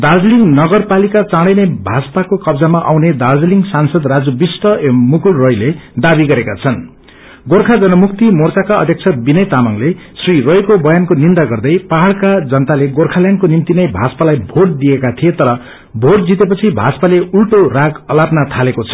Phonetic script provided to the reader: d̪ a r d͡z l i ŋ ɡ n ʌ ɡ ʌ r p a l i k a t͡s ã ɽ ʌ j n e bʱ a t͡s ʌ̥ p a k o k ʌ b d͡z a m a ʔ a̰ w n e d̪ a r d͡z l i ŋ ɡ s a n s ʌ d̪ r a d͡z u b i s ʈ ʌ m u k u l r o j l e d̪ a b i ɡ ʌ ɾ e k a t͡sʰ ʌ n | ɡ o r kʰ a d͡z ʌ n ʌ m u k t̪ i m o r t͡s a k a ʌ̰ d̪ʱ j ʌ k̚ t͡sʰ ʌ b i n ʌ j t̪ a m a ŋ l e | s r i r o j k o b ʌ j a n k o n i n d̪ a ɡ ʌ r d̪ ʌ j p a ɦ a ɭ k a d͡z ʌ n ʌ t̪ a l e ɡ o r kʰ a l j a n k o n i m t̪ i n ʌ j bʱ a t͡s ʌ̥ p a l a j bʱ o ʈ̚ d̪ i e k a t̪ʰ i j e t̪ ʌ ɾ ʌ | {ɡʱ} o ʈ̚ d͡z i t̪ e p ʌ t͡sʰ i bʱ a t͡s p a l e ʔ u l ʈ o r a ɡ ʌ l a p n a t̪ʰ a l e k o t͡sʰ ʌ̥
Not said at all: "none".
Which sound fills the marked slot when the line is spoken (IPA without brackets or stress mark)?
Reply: bʱ